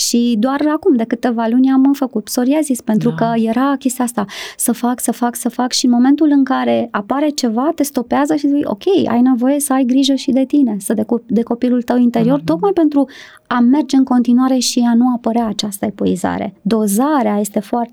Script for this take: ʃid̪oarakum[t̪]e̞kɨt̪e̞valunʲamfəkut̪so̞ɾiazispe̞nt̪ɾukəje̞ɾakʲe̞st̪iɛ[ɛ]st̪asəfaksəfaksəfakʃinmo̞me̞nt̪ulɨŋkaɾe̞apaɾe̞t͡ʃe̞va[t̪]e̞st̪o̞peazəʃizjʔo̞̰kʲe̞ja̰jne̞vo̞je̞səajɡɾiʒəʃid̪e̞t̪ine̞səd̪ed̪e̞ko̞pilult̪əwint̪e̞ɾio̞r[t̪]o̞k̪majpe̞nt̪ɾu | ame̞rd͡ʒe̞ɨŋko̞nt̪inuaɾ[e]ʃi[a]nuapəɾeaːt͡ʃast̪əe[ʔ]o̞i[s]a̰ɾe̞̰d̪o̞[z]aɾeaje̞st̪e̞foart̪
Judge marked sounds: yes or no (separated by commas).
no, no, yes, yes, yes, yes, no, no, yes